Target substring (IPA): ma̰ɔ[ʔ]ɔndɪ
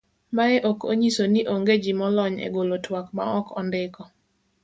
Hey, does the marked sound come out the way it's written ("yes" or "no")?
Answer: no